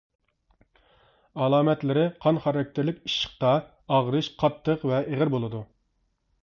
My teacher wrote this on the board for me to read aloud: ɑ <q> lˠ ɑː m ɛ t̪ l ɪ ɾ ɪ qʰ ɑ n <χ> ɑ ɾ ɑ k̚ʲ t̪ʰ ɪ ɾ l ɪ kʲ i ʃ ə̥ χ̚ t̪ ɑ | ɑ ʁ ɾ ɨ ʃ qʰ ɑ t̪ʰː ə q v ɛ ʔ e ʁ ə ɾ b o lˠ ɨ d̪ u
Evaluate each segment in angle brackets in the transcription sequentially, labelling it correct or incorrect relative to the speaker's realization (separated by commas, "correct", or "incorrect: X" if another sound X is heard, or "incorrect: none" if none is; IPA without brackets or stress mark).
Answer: incorrect: none, correct